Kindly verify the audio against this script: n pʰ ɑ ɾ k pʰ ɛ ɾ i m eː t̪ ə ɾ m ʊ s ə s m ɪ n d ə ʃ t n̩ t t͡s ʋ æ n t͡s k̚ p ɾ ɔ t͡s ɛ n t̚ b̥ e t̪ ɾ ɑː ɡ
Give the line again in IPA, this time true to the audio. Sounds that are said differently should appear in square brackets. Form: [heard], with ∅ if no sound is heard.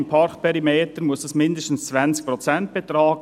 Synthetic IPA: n pʰ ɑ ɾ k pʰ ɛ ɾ i m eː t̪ ə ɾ m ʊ s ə s m ɪ n d ə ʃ t n̩ [s] t͡s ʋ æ n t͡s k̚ p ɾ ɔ t͡s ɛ n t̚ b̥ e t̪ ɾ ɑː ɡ